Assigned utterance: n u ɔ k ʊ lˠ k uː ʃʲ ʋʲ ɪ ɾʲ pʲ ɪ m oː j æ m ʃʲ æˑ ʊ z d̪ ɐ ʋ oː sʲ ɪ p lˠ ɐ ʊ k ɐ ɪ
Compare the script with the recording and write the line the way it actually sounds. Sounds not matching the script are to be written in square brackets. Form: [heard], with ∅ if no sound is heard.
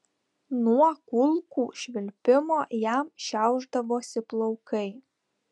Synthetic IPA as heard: n u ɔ k ʊ lˠ k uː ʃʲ ʋʲ ɪ [lʲ] pʲ ɪ m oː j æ m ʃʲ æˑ ʊ [ʒ] d̪ ɐ ʋ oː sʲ ɪ p lˠ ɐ ʊ k ɐ ɪ